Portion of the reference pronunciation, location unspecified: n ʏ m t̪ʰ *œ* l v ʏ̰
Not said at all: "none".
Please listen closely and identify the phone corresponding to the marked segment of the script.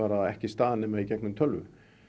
œ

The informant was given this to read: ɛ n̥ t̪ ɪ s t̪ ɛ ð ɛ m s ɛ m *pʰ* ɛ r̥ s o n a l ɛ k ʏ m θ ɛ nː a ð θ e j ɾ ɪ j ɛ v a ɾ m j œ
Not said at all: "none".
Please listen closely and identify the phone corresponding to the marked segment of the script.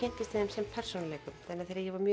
pʰ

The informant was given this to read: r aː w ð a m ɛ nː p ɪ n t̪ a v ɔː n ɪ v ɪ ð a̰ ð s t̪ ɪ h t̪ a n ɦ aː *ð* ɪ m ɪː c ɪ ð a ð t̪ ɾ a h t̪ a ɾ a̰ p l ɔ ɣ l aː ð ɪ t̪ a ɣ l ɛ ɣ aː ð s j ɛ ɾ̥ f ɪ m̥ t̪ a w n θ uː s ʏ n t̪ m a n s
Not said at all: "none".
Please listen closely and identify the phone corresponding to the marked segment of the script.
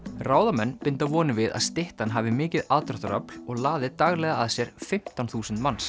v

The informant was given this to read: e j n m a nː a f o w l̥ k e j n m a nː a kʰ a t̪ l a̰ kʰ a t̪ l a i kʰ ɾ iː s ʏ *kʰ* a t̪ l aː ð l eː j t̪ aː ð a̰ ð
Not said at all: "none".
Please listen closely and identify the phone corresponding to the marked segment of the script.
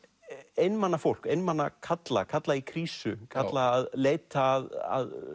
kʰ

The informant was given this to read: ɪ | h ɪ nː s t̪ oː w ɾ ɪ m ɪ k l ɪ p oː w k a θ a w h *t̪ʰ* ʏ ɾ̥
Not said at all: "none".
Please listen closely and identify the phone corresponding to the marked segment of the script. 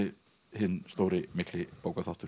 t̪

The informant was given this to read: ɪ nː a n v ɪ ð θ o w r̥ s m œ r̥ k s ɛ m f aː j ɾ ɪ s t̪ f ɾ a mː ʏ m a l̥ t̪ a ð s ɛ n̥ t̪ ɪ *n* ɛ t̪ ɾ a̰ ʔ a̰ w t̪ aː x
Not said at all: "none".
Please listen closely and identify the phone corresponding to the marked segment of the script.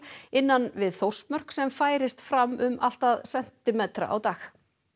m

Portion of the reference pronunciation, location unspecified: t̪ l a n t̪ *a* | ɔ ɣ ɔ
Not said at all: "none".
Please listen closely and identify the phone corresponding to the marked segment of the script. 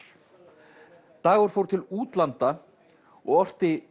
a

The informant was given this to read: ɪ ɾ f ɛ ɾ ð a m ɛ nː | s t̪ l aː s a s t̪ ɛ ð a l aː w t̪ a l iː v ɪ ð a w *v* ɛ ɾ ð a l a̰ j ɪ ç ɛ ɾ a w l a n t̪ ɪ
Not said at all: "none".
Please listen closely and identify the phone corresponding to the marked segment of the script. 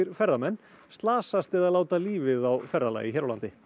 f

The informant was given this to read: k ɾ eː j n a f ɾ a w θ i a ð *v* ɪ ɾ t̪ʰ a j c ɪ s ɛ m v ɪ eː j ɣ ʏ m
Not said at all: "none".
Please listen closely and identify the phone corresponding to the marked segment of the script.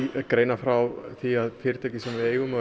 f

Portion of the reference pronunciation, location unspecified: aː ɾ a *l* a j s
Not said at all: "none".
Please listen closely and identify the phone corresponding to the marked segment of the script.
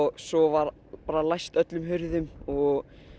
l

